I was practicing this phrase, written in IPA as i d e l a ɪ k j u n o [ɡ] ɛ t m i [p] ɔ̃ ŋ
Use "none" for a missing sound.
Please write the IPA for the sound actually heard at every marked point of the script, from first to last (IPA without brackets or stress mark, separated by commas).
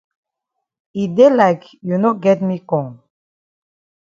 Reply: ɡ, k